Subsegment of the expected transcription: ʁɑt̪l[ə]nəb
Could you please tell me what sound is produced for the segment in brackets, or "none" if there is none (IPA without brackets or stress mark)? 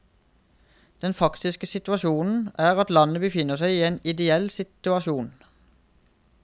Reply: ɑ